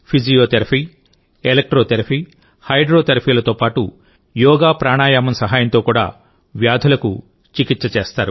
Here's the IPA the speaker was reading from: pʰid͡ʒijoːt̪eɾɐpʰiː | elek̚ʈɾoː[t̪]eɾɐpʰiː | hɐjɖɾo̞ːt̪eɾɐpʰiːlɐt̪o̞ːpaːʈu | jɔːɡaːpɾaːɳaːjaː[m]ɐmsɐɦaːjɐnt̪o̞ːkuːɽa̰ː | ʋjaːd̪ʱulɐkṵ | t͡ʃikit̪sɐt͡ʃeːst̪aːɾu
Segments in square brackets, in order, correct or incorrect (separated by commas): correct, correct